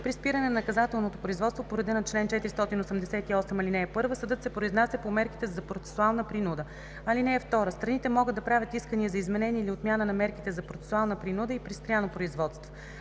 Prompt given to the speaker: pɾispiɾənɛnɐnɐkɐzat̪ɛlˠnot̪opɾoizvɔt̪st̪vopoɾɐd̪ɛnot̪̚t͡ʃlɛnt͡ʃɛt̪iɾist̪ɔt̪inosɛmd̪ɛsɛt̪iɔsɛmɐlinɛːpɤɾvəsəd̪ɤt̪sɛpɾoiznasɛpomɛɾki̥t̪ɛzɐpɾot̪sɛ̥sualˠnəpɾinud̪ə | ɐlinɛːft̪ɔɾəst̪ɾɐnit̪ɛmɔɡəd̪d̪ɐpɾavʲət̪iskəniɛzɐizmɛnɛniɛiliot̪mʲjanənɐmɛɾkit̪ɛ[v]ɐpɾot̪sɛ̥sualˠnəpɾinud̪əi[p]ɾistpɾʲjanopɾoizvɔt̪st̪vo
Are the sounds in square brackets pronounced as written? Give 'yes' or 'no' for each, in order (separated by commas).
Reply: no, yes